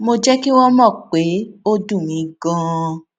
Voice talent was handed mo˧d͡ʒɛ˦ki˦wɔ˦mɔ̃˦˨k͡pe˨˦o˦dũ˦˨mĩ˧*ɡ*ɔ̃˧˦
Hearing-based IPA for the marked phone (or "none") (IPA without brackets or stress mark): ɡ